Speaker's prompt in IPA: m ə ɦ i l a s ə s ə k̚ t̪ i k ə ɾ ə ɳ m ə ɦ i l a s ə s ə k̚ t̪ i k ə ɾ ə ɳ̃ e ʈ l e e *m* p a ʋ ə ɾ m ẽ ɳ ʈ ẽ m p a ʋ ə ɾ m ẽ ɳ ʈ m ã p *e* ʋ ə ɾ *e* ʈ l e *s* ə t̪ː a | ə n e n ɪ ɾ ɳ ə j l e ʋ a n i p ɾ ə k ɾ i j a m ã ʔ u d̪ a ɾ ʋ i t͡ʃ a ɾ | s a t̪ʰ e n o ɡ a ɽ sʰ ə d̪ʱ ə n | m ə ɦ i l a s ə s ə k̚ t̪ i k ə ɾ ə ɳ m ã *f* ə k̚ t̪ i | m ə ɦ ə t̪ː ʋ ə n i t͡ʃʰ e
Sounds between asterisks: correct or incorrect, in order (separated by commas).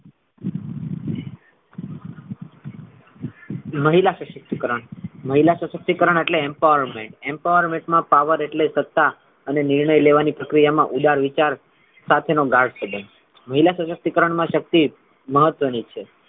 correct, incorrect, correct, correct, incorrect